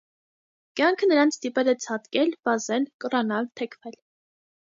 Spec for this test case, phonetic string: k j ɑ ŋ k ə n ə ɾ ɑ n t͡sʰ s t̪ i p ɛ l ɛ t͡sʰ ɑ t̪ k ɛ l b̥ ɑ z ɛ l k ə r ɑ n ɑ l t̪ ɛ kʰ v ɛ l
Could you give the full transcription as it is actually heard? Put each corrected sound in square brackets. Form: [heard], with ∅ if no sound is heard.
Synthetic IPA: k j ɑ ŋ [kʰ] ə n ə ɾ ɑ n t͡sʰ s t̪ i p ɛ l ɛ t͡sʰ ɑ t̪ k ɛ l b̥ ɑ z ɛ l k ə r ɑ n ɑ l [t̪ʰ] ɛ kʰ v ɛ l